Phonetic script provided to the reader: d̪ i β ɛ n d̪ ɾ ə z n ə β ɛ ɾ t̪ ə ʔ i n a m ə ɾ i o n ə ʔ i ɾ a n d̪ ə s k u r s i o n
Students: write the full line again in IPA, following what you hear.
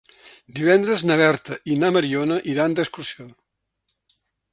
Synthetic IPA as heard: d̪ i β ɛ n d̪ ɾ ə z n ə β ɛ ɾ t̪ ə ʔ i n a m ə ɾ i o n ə ʔ i ɾ a n d̪ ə s k u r s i o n